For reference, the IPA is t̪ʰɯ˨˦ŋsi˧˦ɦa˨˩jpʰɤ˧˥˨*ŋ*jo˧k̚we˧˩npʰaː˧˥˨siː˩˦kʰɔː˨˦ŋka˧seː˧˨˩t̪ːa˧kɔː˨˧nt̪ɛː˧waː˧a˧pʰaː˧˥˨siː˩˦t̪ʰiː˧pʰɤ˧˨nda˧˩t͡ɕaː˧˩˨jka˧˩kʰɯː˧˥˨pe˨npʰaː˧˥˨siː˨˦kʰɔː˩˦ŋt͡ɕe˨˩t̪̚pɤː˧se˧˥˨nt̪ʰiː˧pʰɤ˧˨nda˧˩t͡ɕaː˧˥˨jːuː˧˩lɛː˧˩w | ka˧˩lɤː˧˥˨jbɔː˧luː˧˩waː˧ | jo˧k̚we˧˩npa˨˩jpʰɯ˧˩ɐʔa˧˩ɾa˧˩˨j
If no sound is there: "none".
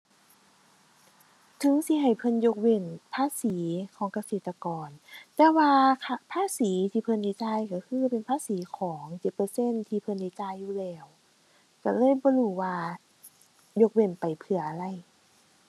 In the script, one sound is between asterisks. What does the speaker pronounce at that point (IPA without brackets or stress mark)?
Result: n